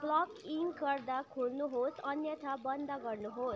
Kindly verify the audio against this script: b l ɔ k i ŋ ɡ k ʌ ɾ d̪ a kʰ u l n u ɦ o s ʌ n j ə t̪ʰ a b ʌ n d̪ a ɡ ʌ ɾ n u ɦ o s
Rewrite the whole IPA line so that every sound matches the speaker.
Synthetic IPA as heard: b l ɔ k i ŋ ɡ k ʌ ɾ d̪ a kʰ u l n u ɦ o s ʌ n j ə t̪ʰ a b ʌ n d̪ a ɡ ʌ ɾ n u ɦ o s